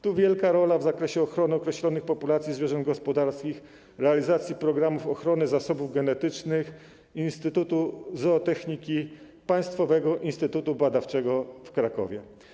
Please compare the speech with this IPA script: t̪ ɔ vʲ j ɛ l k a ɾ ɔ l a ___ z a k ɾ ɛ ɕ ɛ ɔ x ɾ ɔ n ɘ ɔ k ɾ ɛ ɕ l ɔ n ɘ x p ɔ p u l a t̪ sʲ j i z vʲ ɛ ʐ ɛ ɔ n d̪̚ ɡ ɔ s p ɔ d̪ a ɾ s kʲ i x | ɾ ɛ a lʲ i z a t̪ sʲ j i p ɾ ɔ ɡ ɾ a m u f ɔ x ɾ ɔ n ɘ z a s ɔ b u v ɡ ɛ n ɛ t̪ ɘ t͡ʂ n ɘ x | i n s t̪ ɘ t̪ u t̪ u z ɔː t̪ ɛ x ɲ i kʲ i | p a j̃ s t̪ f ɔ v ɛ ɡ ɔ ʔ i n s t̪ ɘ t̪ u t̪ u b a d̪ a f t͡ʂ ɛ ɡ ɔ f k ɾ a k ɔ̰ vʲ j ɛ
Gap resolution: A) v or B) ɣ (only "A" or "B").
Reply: A